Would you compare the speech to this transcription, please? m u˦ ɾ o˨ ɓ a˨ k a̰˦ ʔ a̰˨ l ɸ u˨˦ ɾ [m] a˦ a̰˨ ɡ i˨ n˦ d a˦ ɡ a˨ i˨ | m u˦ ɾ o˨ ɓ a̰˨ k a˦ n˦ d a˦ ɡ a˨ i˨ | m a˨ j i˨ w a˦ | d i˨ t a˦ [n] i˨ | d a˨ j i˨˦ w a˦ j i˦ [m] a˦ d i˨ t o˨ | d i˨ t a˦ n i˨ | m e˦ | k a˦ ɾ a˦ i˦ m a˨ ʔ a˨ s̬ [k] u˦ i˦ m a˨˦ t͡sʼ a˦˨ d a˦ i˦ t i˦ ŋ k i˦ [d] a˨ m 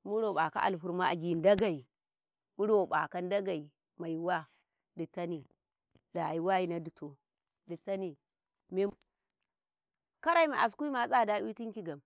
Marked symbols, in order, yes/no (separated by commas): yes, yes, no, yes, no